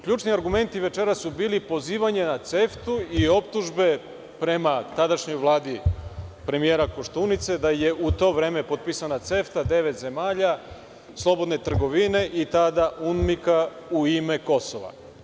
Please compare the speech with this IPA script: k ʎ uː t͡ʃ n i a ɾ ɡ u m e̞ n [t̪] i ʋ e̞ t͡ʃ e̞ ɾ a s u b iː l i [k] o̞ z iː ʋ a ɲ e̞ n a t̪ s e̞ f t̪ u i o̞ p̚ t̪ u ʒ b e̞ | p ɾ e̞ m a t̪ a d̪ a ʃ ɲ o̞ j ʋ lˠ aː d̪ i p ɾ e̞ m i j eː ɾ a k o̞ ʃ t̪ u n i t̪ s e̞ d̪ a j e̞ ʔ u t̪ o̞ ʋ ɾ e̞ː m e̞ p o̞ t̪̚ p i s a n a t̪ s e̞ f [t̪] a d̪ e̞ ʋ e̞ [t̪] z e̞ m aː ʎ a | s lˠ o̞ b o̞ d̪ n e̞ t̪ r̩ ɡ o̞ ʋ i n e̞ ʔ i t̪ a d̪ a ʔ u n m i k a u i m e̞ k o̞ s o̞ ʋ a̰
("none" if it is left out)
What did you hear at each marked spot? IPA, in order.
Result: t̪, p, t̪, t̪

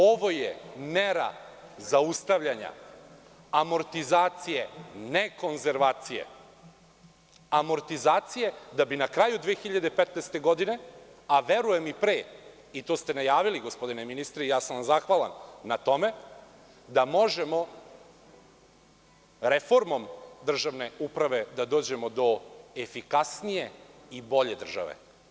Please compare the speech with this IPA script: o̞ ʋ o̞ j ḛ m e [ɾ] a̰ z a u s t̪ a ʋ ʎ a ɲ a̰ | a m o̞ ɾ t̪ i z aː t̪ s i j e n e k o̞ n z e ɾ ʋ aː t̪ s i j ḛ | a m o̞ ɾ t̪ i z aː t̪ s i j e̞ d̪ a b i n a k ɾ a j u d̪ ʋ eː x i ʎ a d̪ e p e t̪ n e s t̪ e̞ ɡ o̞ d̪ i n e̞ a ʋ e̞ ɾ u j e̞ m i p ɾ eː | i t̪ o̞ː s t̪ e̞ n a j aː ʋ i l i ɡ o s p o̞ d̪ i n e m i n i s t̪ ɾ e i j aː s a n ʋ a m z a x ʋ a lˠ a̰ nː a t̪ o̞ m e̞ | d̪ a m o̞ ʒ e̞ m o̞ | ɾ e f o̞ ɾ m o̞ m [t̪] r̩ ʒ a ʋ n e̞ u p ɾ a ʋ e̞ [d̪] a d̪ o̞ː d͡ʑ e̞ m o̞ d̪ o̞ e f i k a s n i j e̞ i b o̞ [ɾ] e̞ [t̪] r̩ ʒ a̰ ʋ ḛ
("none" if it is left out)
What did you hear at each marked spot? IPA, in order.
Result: ɾ, d̪, d̪, ʎ, d̪

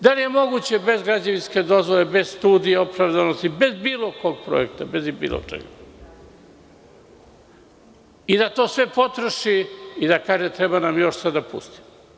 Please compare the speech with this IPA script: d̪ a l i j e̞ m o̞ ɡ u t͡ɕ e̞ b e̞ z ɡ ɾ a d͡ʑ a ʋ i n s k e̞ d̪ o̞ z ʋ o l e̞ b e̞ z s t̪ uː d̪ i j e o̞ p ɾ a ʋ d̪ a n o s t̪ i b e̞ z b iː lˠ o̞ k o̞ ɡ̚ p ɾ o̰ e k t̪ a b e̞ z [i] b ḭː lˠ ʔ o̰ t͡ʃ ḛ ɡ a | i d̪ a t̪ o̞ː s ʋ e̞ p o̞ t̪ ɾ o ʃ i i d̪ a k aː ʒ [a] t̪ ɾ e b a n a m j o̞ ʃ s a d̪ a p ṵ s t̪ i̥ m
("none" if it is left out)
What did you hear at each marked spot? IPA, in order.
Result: i, e

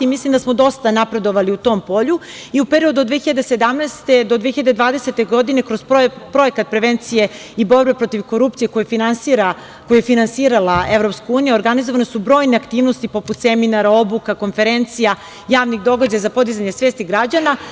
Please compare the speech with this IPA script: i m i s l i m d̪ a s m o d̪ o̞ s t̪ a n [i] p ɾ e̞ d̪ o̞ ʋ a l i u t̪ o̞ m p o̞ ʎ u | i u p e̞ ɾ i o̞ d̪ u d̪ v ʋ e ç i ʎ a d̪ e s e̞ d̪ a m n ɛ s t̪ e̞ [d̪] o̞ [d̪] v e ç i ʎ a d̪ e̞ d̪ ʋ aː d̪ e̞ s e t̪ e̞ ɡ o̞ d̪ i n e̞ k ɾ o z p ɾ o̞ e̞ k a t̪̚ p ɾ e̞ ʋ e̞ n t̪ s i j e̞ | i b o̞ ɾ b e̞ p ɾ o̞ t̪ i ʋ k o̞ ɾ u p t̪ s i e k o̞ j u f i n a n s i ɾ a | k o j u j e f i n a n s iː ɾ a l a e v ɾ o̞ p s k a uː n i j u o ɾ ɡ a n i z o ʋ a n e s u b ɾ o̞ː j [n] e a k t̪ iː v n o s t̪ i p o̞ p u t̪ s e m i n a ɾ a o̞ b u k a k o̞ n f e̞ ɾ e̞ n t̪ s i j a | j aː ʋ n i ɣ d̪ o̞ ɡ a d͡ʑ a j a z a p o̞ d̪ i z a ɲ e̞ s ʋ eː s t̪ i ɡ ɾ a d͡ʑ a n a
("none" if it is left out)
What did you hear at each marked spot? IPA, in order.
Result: a, d̪, d̪, n

